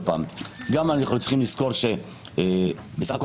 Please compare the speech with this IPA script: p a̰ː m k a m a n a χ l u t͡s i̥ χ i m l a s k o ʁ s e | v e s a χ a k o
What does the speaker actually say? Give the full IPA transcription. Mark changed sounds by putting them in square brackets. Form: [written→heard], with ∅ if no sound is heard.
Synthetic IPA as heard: p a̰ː m [k→ɡ] a m a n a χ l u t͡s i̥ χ i m l [a→i] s k o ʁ [s→ʃ] e | [v→b] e s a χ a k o